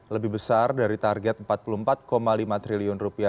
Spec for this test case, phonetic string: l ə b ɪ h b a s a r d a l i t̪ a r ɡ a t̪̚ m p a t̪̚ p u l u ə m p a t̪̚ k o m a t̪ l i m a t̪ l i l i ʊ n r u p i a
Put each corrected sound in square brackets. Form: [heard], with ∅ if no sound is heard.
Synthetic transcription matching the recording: l ə b ɪ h b [ə] s a r d a [ɾ] i t̪ a r ɡ [ɛ] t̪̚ m p a t̪̚ p u l u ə m p a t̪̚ k o m a [∅] l i m a t̪ [ɾ] i l i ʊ n r u p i a